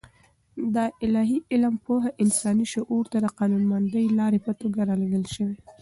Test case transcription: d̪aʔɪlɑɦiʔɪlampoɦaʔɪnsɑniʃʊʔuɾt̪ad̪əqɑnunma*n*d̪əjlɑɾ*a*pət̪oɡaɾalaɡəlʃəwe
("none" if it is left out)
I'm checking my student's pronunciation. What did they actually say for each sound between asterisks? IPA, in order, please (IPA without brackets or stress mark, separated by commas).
n, e